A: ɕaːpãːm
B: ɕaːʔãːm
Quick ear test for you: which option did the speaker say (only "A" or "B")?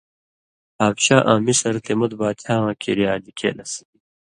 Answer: B